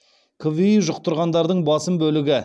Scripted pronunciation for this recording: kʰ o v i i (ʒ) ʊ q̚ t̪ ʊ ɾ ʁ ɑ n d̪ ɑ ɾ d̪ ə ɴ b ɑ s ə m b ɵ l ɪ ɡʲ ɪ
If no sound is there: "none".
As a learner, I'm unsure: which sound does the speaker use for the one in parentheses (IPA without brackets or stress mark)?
ʒ